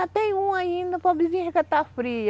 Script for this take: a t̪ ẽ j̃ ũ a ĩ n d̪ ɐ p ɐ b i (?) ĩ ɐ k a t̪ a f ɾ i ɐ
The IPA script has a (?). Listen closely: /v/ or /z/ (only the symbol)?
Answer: z